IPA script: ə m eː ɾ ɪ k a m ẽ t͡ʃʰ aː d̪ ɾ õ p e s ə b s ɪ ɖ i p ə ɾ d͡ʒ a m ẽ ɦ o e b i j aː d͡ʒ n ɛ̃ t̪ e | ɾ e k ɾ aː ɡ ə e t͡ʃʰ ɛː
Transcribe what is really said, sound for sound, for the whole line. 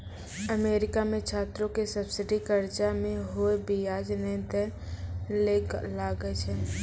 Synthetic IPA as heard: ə m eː ɾ ɪ k a m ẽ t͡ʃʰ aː t̪ ɾ õ k e s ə b s ɪ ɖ i k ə ɾ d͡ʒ a m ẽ ɦ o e b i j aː d͡ʒ n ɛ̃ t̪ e | l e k l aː ɡ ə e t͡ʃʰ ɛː